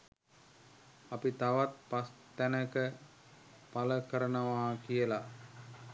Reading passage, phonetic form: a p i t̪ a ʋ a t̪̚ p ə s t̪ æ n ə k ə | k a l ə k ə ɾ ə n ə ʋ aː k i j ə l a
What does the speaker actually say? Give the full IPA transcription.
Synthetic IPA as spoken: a p i t̪ a ʋ a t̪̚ p a s t̪ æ n ə k ə | p a l ə k ə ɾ ə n ə ʋ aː k i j ə l a